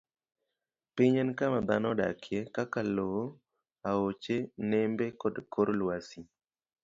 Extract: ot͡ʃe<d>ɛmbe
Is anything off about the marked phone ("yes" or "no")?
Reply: yes